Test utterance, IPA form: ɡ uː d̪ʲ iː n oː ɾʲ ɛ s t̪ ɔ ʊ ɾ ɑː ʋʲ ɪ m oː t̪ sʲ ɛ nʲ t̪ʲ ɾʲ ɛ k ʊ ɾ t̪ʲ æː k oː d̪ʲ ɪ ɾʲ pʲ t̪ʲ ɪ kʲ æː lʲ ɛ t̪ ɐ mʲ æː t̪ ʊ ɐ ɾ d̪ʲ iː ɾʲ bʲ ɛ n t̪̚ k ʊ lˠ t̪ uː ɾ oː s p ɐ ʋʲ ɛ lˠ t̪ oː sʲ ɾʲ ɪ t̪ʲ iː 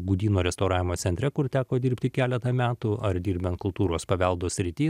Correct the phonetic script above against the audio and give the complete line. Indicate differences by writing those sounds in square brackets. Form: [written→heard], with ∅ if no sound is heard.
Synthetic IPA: ɡ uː d̪ʲ iː n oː ɾʲ ɛ s t̪ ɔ ʊ ɾ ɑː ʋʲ ɪ m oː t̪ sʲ ɛ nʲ t̪ʲ ɾʲ ɛ k ʊ ɾ t̪ʲ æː k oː d̪ʲ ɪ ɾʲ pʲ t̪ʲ ɪ kʲ æː lʲ ɛ t̪ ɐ mʲ æː t̪ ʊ ɐ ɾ d̪ʲ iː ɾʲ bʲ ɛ n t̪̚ k ʊ lˠ t̪ uː ɾ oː s p ɐ ʋʲ ɛ lˠ [t̪→d̪] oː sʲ ɾʲ ɪ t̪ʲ iː